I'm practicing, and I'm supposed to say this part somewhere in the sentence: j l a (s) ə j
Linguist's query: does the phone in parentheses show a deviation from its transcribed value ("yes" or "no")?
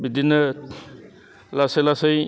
no